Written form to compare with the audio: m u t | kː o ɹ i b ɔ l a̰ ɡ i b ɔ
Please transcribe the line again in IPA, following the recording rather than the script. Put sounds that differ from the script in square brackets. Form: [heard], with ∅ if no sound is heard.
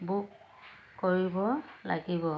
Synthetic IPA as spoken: [b] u [k] | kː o ɹ i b ɔ l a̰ ɡ i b ɔ

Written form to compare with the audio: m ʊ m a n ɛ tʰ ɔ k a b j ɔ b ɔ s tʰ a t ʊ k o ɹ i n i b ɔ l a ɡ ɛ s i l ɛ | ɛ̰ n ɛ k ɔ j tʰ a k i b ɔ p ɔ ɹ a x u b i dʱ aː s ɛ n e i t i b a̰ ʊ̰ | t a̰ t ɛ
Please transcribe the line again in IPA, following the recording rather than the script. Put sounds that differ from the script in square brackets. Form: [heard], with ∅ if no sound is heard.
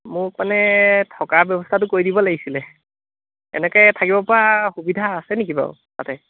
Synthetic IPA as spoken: m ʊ m a n ɛ tʰ ɔ k a b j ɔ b ɔ s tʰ a t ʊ k o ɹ i [d] i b ɔ l a ɡ [i] s i l ɛ | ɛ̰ n ɛ k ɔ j tʰ a k i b ɔ p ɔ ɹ a x u b i dʱ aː s ɛ n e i [k] i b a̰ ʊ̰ | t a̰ t ɛ

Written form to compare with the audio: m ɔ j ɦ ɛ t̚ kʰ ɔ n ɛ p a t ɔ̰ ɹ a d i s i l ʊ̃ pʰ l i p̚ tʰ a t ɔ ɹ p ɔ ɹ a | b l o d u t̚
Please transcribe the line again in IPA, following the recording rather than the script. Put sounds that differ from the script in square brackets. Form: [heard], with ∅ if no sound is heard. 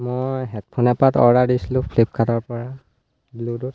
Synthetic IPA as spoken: m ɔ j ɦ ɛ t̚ [pʰ] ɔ n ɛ p a t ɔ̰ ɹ a d i s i l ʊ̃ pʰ l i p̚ [kʰ] a t ɔ ɹ p ɔ ɹ a | b l [u] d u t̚

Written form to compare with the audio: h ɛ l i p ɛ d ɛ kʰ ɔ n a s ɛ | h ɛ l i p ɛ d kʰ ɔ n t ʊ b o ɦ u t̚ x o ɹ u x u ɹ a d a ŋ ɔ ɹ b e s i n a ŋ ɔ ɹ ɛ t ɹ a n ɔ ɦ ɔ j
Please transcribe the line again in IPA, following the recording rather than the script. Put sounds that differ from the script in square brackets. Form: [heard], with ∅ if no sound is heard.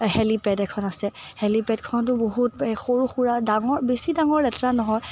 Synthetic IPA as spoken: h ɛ l i p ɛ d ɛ kʰ ɔ n a s ɛ | h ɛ l i p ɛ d kʰ ɔ n t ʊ b o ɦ u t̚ x o ɹ u x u ɹ a d a ŋ ɔ ɹ b e s i [d] a ŋ ɔ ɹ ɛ t ɹ a n ɔ ɦ ɔ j

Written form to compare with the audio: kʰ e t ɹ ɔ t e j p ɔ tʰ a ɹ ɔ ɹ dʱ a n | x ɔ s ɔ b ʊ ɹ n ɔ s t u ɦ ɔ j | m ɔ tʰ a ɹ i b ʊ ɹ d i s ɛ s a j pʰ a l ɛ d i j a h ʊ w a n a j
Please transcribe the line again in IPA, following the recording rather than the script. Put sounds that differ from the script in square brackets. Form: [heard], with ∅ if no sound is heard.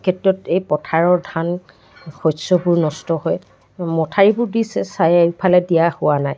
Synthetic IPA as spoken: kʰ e t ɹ ɔ t e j p ɔ tʰ a ɹ ɔ ɹ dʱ a n | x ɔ s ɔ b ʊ ɹ n ɔ s t [ɔ] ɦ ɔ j | m ɔ tʰ a ɹ i b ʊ ɹ d i s ɛ s a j pʰ a l ɛ d i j a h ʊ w a n a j

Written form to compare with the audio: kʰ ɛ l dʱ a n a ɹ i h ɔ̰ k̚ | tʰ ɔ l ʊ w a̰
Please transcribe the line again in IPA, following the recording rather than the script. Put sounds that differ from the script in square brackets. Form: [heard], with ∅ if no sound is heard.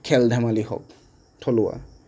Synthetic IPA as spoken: kʰ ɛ l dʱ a [m] a [l] i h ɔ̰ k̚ | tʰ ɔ l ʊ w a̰

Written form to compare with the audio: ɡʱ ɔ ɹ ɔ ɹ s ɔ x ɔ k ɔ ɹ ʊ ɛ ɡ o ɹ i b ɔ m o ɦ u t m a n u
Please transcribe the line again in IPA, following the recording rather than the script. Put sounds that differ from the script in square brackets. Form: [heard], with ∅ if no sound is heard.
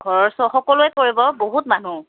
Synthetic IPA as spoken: ɡʱ ɔ ɹ ɔ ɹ s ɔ x ɔ k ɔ [l] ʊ ɛ [k] o ɹ i b ɔ [b] o ɦ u t m a n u

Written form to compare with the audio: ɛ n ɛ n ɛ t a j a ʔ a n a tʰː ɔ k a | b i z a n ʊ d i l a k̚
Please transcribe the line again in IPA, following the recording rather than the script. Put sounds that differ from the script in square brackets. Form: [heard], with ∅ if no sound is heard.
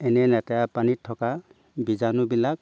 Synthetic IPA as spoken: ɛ n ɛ n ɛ t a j a [p] a n [i] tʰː ɔ k a | b i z a n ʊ [b] i l a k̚

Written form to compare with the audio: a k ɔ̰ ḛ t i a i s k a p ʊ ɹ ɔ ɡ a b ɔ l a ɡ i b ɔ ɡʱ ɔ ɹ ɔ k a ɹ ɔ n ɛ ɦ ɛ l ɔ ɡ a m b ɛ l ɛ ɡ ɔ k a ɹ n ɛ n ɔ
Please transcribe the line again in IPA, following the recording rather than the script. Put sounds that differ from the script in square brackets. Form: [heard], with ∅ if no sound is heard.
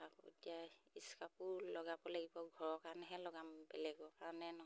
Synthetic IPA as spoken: a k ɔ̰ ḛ t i a i s k a p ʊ [l] ɔ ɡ a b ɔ l a ɡ i b ɔ ɡʱ ɔ ɹ ɔ k a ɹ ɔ n ɛ ɦ ɛ l ɔ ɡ a m b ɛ l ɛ ɡ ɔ k a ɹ n ɛ n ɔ

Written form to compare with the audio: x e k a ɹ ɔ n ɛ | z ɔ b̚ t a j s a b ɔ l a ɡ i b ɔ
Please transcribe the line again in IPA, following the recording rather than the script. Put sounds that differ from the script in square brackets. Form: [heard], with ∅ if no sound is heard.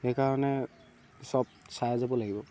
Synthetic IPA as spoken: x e k a ɹ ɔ n ɛ | [s] ɔ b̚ [s] a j [z] a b ɔ l a ɡ i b ɔ

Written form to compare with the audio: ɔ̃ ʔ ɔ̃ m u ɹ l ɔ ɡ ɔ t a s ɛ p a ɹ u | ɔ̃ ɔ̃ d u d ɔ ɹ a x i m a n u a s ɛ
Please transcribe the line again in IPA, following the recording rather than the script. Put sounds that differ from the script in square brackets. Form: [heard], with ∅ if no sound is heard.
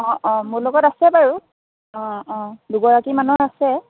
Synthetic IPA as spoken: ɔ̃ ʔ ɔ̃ m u ɹ l ɔ ɡ ɔ t a s ɛ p a ɹ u | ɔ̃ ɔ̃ d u [ɡ] ɔ ɹ a [k] i m a n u a s ɛ

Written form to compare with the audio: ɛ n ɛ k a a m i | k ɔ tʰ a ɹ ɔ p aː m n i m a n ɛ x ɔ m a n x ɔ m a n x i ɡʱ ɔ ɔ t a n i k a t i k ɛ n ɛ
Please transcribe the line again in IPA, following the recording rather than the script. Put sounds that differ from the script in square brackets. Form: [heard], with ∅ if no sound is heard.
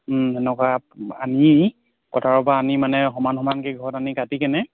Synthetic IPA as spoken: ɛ n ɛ k a a [n] i | k ɔ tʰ a ɹ ɔ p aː [∅] n i m a n ɛ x ɔ m a n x ɔ m a n [k] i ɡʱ ɔ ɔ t a n i k a t i k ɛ n ɛ

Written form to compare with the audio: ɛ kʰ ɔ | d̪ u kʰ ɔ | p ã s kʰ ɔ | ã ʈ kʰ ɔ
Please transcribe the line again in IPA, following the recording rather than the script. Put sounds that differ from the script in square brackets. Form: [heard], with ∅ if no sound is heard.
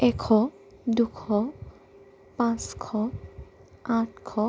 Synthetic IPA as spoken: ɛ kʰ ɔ | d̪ u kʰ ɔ | p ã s kʰ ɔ | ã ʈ kʰ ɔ

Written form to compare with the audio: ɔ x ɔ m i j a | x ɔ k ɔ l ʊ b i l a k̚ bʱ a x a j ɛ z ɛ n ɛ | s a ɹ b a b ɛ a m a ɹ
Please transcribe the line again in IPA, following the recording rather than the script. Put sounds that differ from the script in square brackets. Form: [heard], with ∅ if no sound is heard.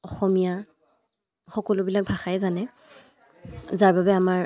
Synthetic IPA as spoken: ɔ x ɔ m i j a | x ɔ k ɔ l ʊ b i l a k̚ bʱ a x a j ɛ z [a] n ɛ | [z] a ɹ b a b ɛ a m a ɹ

